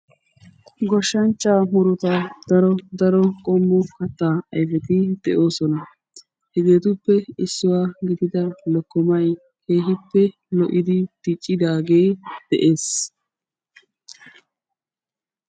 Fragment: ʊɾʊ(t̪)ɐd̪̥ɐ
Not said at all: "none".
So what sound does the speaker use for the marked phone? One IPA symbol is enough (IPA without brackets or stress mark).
t̪